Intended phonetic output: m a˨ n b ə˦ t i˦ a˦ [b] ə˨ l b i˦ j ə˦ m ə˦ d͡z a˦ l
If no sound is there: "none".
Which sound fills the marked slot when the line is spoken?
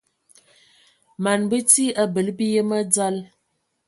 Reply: b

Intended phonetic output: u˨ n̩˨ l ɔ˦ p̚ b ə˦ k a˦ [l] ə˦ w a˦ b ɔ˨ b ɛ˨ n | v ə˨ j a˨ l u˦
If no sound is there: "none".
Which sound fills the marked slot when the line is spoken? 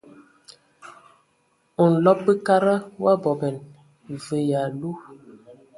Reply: ɾ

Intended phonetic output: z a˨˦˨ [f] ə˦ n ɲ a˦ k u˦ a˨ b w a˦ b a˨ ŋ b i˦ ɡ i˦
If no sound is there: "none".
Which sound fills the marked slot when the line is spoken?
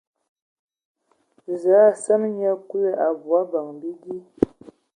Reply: s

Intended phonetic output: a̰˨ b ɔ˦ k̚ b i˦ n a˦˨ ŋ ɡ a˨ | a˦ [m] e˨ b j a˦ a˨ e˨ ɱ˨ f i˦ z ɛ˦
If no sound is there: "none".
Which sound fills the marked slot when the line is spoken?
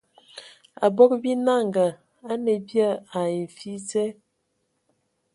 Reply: n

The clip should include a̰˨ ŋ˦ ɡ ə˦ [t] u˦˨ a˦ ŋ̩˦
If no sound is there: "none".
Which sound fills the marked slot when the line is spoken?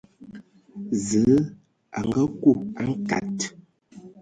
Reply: k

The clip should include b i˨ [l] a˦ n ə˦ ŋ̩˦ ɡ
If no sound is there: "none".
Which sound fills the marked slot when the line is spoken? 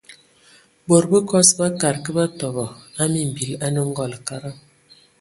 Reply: l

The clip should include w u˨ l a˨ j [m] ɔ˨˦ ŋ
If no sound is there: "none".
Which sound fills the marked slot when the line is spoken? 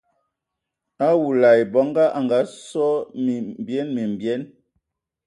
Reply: b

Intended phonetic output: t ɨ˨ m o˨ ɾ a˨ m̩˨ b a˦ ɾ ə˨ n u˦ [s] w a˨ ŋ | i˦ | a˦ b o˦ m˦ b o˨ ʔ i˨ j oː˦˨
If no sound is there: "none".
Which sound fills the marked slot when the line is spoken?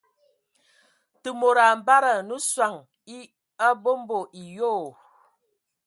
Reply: s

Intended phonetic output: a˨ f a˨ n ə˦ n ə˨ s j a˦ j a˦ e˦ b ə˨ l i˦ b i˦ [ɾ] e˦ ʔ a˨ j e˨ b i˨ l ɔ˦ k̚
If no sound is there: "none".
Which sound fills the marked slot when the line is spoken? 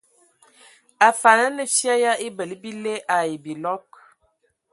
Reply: l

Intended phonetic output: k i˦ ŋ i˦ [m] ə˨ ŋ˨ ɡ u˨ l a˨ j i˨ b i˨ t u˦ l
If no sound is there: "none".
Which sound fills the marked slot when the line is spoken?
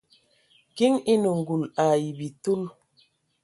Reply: n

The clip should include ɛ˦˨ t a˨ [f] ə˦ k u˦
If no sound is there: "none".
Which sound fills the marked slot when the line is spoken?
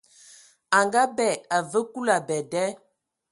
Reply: v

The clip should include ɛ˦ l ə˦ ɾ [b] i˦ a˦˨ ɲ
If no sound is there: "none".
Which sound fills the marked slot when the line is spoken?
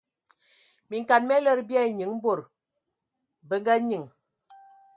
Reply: b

